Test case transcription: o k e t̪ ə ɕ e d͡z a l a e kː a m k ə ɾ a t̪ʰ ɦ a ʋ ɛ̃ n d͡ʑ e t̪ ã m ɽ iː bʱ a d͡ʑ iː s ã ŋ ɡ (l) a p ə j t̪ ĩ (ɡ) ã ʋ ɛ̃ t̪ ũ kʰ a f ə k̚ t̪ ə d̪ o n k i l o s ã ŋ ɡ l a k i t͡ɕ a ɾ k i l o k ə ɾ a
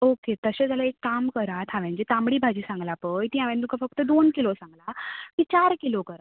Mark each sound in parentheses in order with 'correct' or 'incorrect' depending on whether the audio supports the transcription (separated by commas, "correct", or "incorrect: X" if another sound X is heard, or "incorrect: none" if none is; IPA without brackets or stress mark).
correct, incorrect: none